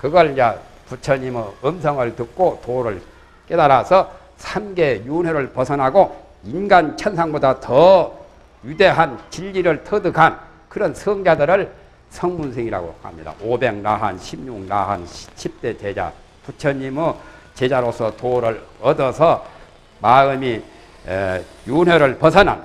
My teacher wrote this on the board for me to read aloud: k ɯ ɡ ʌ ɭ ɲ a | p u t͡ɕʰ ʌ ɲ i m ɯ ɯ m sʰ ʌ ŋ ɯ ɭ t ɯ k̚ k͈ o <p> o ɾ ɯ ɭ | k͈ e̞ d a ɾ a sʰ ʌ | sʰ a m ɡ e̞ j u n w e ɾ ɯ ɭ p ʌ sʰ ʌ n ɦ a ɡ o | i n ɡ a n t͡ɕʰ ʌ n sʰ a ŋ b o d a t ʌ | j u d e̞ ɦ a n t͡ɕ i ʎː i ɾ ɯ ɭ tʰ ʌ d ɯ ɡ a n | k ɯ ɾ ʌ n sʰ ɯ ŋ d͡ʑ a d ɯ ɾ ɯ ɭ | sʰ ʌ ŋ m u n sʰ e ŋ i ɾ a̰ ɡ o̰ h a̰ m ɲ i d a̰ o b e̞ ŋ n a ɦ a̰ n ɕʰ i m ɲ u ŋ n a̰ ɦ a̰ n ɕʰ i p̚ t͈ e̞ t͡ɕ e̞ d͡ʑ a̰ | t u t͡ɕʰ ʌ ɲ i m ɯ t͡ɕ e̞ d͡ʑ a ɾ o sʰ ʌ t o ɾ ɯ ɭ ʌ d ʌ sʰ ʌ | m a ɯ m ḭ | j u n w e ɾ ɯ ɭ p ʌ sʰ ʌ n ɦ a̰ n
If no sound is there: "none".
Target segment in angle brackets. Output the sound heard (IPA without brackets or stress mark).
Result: t